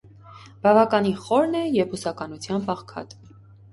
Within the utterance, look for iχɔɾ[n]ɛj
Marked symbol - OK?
yes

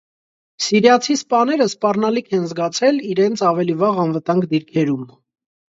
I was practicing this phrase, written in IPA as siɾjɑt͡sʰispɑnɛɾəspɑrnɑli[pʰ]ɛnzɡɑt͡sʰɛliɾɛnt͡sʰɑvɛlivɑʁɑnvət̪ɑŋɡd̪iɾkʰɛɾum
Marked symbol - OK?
no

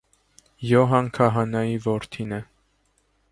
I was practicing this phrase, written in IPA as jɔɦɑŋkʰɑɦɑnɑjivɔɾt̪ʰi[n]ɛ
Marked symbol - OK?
yes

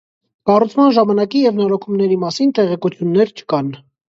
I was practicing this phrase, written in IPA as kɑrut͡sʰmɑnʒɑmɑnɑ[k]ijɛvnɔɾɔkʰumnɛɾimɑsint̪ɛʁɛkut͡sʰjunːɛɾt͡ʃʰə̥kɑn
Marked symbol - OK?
yes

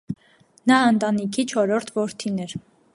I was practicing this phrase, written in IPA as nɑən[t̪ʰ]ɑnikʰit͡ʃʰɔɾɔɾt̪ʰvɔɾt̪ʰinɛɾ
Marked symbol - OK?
no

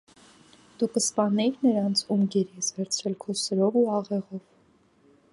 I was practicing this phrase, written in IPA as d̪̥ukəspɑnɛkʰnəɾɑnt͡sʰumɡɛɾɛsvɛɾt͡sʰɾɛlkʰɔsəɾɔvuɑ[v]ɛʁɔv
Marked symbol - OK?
no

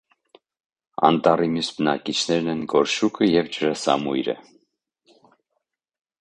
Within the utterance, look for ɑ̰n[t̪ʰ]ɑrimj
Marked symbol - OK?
no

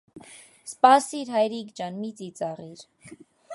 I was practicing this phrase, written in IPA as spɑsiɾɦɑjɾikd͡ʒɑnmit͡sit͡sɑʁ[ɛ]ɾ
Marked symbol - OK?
no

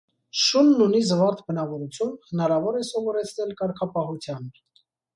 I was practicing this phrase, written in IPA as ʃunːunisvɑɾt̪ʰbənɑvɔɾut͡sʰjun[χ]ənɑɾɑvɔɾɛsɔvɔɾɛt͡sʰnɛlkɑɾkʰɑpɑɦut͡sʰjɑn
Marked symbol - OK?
no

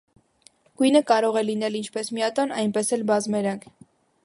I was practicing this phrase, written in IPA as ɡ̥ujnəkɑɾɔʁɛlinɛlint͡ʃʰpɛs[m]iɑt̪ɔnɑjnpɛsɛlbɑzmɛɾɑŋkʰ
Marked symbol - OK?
yes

